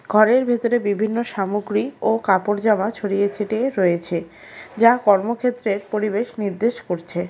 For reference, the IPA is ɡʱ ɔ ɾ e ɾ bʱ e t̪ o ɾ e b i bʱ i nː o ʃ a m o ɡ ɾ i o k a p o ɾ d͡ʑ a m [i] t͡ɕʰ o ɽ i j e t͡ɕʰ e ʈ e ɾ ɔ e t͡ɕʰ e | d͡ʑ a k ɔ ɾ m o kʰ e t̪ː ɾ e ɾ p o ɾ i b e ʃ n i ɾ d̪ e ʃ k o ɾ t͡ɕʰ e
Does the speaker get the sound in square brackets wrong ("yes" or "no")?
yes